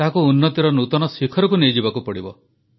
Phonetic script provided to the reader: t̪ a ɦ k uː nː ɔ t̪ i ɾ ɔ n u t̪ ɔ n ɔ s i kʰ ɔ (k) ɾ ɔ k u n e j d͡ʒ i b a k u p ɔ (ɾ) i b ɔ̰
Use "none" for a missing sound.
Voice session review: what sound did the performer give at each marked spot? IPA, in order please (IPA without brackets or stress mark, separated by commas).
none, ɽ